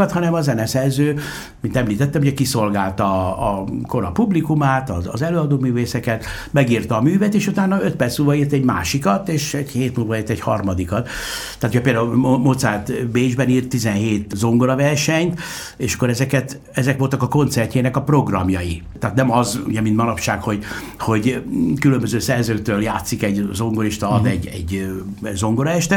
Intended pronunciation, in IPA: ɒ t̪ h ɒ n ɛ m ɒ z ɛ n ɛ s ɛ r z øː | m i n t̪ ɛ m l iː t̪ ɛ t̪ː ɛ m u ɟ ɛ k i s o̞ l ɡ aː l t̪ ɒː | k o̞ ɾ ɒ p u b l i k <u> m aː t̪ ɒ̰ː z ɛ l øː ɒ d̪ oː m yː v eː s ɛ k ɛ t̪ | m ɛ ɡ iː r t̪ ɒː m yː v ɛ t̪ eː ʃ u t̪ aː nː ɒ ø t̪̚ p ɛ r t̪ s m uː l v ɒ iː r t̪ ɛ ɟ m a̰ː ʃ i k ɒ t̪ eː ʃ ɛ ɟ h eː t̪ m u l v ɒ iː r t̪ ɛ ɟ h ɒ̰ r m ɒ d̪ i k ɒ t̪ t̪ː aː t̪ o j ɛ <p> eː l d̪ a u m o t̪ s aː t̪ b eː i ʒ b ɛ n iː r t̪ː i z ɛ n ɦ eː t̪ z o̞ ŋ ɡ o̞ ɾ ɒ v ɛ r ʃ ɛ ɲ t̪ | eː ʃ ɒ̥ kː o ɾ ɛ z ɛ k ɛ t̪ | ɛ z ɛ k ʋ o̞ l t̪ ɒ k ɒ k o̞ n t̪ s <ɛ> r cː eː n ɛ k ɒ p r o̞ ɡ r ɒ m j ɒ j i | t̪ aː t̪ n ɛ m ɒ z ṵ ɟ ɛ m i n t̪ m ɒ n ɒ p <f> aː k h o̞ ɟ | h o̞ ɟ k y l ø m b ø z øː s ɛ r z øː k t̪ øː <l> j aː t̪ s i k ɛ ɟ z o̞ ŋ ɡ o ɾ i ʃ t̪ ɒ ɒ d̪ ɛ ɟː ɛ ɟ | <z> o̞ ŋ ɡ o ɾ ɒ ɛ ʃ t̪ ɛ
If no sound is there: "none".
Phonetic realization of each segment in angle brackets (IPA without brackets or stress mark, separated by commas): u, p, ɛ, ʃ, l, z